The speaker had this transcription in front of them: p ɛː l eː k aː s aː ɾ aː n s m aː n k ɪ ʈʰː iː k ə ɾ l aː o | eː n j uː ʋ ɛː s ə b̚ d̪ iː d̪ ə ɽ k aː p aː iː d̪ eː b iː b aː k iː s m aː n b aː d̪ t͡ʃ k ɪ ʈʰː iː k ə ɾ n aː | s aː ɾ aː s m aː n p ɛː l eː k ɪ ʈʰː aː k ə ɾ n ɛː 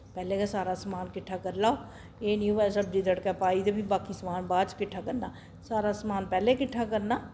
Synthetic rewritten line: p ɛː l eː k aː s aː ɾ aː s m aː n k ɪ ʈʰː aː k ə ɾ l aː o | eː n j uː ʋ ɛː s ə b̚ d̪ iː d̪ ə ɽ k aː p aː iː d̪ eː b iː b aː k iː s m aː n b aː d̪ t͡ʃ k ɪ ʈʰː aː k ə ɾ n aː | s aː ɾ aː s m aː n p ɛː l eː k ɪ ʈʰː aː k ə ɾ n aː

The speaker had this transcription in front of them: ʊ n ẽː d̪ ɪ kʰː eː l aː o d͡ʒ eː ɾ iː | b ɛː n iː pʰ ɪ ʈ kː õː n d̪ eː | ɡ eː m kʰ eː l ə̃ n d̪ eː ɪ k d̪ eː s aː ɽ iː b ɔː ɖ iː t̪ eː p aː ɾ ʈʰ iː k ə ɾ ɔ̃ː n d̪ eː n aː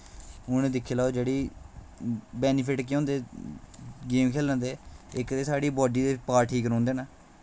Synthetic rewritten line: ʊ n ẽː d̪ ɪ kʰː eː l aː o d͡ʒ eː ɽ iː | b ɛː n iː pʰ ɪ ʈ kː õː n d̪ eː | ɡ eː m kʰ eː l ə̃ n d̪ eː ɪ k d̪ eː s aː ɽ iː b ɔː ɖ iː d̪ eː p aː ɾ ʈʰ iː k ə ɾ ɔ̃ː n d̪ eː n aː

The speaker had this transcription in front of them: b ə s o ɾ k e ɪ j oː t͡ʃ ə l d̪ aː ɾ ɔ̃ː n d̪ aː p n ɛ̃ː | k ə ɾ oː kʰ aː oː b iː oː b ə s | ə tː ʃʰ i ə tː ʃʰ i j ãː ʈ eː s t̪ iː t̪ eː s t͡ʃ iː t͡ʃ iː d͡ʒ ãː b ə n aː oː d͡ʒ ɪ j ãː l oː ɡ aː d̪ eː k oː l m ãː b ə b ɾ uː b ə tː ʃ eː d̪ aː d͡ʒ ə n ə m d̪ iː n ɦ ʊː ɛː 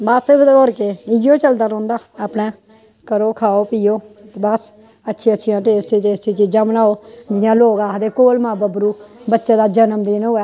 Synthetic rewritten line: b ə s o ɾ k e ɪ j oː t͡ʃ ə l d̪ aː ɾ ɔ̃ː n d̪ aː p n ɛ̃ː | k ə ɾ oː kʰ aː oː p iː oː b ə s | ə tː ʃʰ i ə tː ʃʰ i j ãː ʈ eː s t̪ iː t̪ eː s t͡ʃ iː t͡ʃ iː d͡ʒ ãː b ə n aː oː d͡ʒ ɪ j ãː l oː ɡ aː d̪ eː k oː l m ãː b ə b ɾ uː b ə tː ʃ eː d̪ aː d͡ʒ ə n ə m d̪ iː n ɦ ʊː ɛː

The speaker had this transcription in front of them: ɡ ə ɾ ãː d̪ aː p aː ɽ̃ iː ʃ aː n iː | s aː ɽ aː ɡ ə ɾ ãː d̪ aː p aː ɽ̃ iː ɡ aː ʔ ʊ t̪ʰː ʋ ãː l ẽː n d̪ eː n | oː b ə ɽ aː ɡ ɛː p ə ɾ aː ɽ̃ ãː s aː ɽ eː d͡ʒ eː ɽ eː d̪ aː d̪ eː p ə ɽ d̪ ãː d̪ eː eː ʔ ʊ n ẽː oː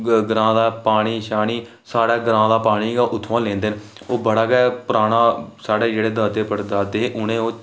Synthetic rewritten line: ɡ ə ɾ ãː d̪ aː p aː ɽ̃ iː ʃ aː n iː | s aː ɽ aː ɡ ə ɾ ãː d̪ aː p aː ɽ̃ iː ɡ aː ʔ ʊ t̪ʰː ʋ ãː l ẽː n d̪ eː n | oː b ə ɽ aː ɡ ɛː p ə ɾ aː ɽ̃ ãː s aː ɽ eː d͡ʒ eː ɽ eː d̪ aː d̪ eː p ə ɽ d̪ aː d̪ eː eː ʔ ʊ n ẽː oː

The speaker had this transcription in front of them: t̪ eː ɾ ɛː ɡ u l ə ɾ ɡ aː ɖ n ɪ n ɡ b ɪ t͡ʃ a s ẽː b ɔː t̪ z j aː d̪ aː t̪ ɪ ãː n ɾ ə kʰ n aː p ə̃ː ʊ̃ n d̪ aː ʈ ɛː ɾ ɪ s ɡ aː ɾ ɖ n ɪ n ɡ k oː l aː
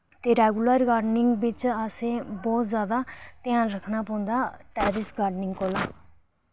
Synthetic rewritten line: t̪ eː ɾ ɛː ɡ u l ə ɾ ɡ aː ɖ n ɪ ŋ ɡ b ɪ t͡ʃ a s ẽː b ɔː t̪ z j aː d̪ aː t̪ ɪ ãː n ɾ ə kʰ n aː p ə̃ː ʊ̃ n d̪ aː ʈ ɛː ɾ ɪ s ɡ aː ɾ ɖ n ɪ ŋ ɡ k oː l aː

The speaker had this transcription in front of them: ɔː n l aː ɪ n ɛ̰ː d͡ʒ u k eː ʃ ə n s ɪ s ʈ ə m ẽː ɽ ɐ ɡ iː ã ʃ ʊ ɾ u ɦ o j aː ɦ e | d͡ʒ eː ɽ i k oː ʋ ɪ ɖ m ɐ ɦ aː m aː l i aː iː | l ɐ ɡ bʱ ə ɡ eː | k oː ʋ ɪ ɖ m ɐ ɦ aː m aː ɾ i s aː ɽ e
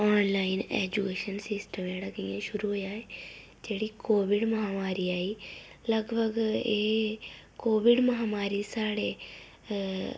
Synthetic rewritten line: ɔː n l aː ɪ n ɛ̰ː d͡ʒ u k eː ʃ ə n s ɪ s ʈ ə m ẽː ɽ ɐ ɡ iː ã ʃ ʊ ɾ u ɦ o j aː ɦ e | d͡ʒ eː ɽ i k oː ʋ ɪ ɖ m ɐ ɦ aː m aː ɾ i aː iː | l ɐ ɡ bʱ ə ɡ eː | k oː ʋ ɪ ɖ m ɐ ɦ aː m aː ɾ i s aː ɽ e

